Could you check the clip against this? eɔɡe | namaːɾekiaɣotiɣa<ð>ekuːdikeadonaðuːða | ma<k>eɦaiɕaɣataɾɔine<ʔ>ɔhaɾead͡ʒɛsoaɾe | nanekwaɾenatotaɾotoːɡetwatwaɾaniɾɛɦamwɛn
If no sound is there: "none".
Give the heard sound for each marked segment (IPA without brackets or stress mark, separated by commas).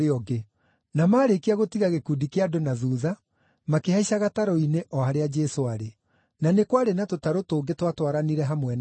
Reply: ɣ, k, ʔ